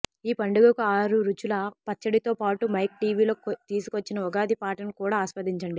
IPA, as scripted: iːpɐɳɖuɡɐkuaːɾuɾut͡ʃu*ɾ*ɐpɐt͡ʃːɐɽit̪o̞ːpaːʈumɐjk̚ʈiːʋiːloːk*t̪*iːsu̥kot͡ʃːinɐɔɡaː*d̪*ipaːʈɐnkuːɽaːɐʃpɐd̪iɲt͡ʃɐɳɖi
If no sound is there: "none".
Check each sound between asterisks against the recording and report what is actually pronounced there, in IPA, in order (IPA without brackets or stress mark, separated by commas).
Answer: l, t̪, d̪